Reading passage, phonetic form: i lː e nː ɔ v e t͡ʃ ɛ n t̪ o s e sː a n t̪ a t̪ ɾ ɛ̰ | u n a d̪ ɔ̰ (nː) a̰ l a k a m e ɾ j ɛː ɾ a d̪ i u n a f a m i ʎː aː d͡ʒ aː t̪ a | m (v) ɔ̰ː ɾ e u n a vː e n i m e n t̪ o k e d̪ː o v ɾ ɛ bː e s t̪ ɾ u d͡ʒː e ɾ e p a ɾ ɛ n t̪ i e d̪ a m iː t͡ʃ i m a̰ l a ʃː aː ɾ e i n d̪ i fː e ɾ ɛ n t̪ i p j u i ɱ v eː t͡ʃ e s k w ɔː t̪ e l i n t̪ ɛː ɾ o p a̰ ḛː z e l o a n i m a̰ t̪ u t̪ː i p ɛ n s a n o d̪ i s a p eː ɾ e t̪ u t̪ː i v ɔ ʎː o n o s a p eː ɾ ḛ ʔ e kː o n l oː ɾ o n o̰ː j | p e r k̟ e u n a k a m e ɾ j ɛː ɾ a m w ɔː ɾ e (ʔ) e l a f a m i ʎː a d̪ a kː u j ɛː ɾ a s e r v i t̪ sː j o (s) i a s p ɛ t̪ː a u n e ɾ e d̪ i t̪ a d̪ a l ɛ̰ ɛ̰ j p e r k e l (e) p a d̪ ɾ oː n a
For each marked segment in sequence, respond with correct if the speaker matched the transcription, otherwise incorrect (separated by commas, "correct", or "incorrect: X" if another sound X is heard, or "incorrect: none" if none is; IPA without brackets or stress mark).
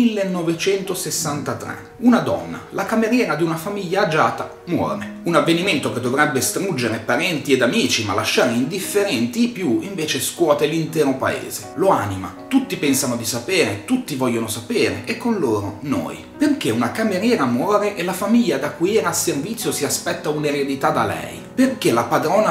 correct, incorrect: w, correct, correct, incorrect: a